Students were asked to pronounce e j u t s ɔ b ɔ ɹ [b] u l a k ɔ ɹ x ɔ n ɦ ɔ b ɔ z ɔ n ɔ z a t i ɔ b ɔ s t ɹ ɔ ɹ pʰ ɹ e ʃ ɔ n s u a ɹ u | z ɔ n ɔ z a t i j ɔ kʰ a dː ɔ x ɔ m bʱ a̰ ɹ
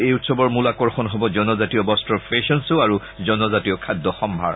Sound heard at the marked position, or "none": m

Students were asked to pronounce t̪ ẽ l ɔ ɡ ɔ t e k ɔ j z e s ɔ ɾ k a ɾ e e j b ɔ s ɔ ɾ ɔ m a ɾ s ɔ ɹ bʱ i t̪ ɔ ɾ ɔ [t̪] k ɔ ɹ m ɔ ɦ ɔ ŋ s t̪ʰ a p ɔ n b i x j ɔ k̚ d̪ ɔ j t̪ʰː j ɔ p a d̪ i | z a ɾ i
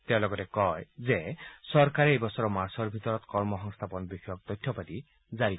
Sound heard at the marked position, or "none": t̪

